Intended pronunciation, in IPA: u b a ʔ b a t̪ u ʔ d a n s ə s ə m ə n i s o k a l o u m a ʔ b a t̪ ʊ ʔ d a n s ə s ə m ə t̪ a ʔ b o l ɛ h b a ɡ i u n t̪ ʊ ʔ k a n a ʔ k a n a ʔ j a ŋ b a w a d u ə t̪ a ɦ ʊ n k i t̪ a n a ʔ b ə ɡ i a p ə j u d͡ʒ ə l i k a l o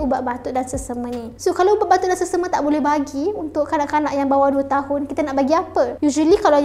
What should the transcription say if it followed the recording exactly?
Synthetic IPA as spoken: u b a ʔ b a t̪ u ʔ d a n s ə s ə m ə n i s o k a l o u b a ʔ b a t̪ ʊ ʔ d a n s ə s ə m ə t̪ a ʔ b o l ɛ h b a ɡ i u n t̪ ʊ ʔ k a n a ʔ k a n a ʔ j a ŋ b a w a d u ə t̪ a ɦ ʊ n k i t̪ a n a ʔ b a ɡ i a p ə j u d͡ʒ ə l i k a l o